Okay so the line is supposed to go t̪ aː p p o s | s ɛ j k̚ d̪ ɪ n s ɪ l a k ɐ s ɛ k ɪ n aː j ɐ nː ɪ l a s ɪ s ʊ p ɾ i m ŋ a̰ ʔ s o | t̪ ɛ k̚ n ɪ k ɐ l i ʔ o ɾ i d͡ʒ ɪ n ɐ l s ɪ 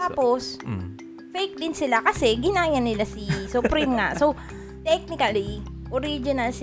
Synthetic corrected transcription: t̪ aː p p o s | f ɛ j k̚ d̪ ɪ n s ɪ l a k ɐ s ɛ ɡ ɪ n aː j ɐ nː ɪ l a s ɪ s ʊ p ɾ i m ŋ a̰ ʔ s o | t̪ ɛ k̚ n ɪ k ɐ l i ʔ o ɾ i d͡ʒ ɪ n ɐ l s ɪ